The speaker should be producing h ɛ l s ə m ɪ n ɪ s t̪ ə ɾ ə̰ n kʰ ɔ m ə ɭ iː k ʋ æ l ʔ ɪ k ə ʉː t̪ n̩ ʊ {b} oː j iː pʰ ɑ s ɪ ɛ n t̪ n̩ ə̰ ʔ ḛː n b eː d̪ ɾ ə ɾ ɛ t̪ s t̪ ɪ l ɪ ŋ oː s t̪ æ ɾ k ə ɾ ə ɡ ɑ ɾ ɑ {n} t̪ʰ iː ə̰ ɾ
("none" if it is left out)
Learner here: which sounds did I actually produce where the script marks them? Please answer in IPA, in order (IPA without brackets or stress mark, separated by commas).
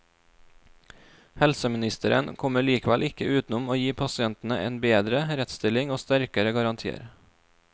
m, n